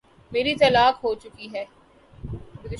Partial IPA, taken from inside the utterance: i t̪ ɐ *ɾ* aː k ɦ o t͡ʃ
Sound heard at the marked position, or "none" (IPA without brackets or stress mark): l